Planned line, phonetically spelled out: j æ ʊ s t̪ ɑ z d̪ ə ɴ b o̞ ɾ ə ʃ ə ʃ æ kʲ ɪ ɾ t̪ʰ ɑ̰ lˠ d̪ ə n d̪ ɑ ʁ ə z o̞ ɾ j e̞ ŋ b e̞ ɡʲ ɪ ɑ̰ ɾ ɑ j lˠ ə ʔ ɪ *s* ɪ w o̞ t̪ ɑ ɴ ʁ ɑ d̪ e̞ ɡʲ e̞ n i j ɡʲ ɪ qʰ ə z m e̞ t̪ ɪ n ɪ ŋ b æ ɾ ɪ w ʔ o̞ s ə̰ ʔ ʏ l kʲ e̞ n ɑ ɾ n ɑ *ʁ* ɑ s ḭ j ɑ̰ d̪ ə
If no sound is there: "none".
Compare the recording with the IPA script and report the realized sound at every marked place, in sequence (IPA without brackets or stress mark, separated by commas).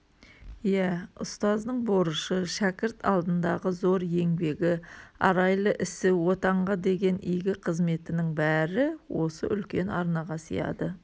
s, ʁ